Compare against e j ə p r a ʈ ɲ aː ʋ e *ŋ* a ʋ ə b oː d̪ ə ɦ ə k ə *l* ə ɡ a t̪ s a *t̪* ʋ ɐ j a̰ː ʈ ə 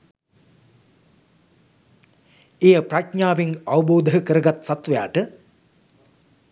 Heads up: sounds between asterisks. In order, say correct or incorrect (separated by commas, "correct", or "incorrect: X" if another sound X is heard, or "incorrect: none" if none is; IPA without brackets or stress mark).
correct, incorrect: ɾ, correct